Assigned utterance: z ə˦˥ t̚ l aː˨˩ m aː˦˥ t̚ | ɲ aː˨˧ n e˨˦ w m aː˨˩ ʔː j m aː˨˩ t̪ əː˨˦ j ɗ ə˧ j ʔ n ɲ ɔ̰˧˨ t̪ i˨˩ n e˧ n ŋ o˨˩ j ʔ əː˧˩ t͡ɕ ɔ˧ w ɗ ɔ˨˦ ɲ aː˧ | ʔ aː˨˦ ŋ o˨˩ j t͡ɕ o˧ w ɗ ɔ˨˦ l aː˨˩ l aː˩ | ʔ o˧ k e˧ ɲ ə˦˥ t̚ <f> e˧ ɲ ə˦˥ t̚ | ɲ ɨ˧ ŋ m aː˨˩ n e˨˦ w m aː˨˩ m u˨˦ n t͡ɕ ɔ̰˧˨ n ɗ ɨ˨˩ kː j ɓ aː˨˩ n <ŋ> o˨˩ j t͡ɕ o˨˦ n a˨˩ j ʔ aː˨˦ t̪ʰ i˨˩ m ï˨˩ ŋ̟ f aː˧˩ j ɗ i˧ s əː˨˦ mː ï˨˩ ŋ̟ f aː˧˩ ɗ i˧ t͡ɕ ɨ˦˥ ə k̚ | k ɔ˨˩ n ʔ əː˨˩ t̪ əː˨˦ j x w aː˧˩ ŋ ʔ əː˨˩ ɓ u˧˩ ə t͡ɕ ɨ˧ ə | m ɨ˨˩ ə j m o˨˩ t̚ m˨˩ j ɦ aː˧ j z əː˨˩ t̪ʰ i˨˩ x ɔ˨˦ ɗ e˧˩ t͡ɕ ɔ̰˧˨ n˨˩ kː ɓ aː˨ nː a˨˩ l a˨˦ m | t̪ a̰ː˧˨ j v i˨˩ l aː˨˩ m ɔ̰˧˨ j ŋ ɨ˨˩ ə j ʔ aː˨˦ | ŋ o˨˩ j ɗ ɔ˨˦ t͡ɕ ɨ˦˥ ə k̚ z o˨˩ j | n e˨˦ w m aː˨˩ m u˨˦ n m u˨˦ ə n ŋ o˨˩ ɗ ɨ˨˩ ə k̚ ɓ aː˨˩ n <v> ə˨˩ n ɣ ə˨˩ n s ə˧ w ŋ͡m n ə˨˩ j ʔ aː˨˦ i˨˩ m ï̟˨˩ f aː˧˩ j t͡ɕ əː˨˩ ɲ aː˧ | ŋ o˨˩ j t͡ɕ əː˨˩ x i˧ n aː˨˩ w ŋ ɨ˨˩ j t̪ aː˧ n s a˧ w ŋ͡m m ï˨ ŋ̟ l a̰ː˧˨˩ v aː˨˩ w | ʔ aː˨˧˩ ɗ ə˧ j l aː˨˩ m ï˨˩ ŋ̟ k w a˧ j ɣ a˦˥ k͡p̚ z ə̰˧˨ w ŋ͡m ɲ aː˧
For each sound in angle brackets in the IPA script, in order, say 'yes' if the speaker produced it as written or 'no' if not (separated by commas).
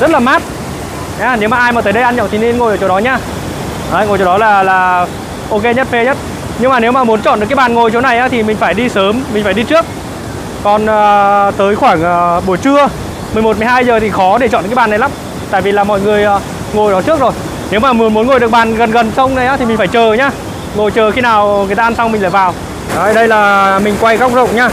yes, yes, no